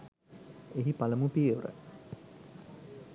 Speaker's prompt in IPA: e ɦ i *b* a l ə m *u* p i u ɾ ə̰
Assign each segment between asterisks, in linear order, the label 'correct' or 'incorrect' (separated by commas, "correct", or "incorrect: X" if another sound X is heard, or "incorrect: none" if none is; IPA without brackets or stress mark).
incorrect: p, correct